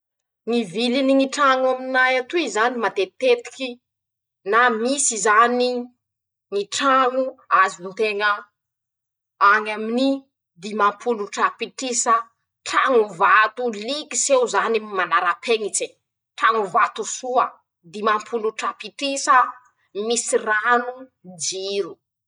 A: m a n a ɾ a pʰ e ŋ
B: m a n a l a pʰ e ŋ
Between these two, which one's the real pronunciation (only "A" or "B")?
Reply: A